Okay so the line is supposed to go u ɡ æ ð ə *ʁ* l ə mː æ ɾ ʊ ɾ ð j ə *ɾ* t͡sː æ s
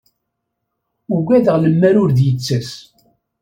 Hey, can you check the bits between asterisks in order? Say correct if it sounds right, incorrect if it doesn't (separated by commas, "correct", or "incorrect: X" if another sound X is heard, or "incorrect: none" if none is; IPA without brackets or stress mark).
correct, incorrect: none